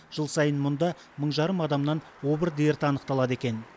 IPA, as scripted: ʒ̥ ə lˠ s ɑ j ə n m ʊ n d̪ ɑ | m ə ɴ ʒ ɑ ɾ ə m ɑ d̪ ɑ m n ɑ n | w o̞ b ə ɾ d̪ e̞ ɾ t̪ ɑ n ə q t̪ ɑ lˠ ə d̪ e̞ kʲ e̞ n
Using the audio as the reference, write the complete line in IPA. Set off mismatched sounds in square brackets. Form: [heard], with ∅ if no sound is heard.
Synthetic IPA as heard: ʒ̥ ə lˠ s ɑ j ə n m ʊ n d̪ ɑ | m ə ɴ ʒ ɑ ɾ ə m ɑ d̪ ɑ m n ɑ n | w o̞ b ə ɾ d̪ e̞ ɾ t̪ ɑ n ə q t̪ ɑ lˠ [ɑ] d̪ e̞ kʲ e̞ n